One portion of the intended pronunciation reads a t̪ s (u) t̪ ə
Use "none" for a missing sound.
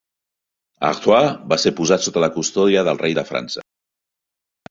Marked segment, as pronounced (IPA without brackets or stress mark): o